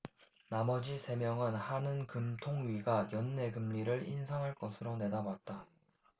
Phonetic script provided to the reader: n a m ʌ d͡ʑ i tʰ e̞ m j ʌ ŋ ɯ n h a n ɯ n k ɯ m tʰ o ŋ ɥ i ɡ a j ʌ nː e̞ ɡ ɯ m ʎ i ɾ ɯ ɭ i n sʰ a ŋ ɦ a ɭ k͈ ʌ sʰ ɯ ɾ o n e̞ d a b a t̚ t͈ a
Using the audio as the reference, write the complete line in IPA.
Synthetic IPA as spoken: n a m ʌ d͡ʑ i sʰ e̞ m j ʌ ŋ ɯ n h a n ɯ n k ɯ m tʰ o ŋ ɥ i ɡ a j ʌ nː e̞ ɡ ɯ m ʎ i ɾ ɯ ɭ i n sʰ a ŋ ɦ a ɭ k͈ ʌ sʰ ɯ ɾ o n e̞ d a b a t̚ t͈ a

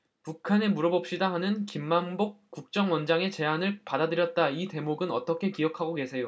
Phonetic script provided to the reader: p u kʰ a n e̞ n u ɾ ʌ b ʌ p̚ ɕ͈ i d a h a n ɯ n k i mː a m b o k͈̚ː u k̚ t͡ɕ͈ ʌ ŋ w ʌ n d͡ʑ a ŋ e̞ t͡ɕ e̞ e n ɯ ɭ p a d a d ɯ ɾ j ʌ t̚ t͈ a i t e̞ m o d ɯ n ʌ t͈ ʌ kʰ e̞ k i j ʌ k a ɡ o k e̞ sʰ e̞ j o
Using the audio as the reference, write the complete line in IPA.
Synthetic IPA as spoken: p u kʰ a n e̞ m u ɾ ʌ b ʌ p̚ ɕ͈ i d a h a n ɯ n k i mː a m b o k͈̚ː u k̚ t͡ɕ͈ ʌ ŋ w ʌ n d͡ʑ a ŋ e̞ t͡ɕ e̞ a n ɯ ɭ p a d a d ɯ ɾ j ʌ t̚ t͈ a i t e̞ m o ɡ ɯ n ʌ t͈ ʌ kʰ e̞ k i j ʌ kʰ a ɡ o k e̞ sʰ e̞ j o

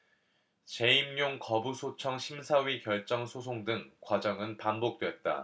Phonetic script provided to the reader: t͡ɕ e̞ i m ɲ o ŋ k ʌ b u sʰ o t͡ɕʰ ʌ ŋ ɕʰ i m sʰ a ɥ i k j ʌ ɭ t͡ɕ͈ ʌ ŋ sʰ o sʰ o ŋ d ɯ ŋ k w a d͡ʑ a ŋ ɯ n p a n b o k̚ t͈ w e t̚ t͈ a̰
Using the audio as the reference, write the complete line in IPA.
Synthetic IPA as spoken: t͡ɕ e̞ i m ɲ o ŋ k ʌ b u sʰ o t͡ɕʰ ʌ ŋ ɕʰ i m sʰ a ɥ i k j ʌ ɭ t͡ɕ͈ ʌ ŋ sʰ o sʰ o ŋ d ɯ ŋ k w a d͡ʑ ʌ ŋ ɯ n p a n b o k̚ t͈ w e t̚ t͈ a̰

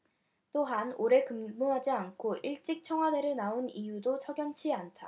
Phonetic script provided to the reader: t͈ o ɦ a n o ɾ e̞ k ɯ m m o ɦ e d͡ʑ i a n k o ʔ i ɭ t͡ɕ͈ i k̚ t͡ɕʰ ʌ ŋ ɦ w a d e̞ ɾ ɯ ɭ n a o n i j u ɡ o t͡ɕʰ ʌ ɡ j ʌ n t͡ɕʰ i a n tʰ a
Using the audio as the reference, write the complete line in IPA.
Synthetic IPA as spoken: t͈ o ɦ a n o ɾ e̞ k ɯ m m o ɦ a d͡ʑ i a n kʰ o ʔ i ɭ t͡ɕ͈ i k̚ t͡ɕʰ ʌ ŋ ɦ w a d e̞ ɾ ɯ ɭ n a o n i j u d o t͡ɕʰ ʌ ɡ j ʌ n t͡ɕʰ i a n tʰ a

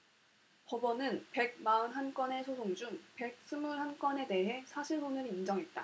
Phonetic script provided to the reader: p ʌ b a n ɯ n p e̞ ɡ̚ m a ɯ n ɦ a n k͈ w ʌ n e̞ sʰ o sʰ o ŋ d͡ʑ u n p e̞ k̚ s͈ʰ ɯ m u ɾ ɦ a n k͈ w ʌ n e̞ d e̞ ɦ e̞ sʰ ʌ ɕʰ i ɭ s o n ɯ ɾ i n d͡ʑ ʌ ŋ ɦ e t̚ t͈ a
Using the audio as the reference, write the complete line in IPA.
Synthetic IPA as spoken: p ʌ b ʌ n ɯ n p e̞ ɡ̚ m a ɯ n ɦ a n k͈ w ʌ n e̞ sʰ o sʰ o ŋ d͡ʑ u ŋ p e̞ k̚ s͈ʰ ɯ m u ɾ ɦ a n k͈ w ʌ n e̞ d e̞ ɦ e̞ sʰ a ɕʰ i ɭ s o n ɯ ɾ i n d͡ʑ ʌ ŋ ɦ e t̚ t͈ a

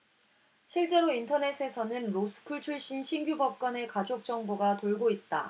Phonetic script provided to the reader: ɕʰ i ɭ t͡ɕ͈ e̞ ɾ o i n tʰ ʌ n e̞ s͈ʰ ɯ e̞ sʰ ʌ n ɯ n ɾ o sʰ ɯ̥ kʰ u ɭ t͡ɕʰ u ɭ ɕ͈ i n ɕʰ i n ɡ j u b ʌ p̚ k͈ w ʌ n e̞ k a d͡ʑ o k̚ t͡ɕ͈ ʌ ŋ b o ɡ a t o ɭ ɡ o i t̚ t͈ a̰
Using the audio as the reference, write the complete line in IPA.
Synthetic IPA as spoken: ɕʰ i ɭ t͡ɕ͈ e̞ ɾ o i n tʰ ʌ n e̞ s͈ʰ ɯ e̞ sʰ ʌ n ɯ n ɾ o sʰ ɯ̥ kʰ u ɭ t͡ɕʰ u ɭ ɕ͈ i n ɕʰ i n ɡ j u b ʌ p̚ k͈ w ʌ n e̞ k a d͡ʑ o k̚ t͡ɕ͈ ʌ ŋ b o ɡ a t o ɭ ɡ o i t̚ t͈ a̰

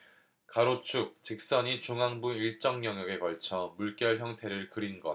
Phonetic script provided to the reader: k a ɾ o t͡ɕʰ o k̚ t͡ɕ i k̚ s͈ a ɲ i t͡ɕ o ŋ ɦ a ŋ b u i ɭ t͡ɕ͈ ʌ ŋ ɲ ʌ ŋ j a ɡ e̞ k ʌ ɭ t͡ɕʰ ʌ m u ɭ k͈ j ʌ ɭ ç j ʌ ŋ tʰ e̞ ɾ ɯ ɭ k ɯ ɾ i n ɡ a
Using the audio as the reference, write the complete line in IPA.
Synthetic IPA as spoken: k a ɾ o t͡ɕʰ u k̚ t͡ɕ i k̚ s͈ ʌ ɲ i t͡ɕ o ŋ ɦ a ŋ b u i ɭ t͡ɕ͈ ʌ ŋ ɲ ʌ ŋ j ʌ ɡ e̞ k ʌ ɭ t͡ɕʰ ʌ m u ɭ k͈ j ʌ ɭ ç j ʌ ŋ tʰ e̞ ɾ ɯ ɭ k ɯ ɾ i n ɡ ʌ

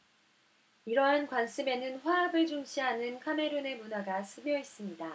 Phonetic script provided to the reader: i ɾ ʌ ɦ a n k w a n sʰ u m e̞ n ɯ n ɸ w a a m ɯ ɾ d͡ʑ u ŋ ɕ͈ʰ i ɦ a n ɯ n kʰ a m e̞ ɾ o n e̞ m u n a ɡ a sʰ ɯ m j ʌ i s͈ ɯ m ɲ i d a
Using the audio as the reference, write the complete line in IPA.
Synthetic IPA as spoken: i ɾ ʌ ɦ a n k w a n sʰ ɯ m e̞ n ɯ n ɸ w a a b ɯ ɭ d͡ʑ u ŋ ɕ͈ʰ i ɦ a n ɯ n kʰ a m e̞ ɾ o n e̞ m u n a ɡ a sʰ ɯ m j ʌ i s͈ ɯ m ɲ i d a

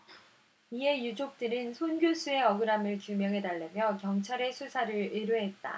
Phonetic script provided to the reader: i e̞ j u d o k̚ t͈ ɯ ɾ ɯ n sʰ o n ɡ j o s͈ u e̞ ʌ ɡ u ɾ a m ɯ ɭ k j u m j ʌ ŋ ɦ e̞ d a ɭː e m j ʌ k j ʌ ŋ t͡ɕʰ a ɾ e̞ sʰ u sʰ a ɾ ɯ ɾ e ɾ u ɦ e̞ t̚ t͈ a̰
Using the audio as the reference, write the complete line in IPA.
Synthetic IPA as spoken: i e̞ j u d͡ʑ o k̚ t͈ ɯ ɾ ɯ n sʰ o n ɡ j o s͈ u e̞ ʌ ɡ ɯ ɾ a m ɯ ɭ k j u m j ʌ ŋ ɦ e̞ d a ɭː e m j ʌ k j ʌ ŋ t͡ɕʰ a ɾ e̞ sʰ u sʰ a ɾ ɯ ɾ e ɾ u ɦ e̞ t̚ t͈ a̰

